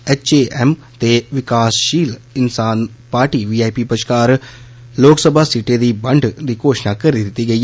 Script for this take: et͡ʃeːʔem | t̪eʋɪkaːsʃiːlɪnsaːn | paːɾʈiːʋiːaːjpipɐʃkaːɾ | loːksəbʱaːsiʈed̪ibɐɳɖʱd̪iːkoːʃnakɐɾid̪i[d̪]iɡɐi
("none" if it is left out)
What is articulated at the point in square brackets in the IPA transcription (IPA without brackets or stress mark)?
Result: t̪